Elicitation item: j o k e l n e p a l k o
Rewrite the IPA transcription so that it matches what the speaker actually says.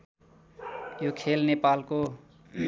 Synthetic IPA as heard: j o kʰ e l n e p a l k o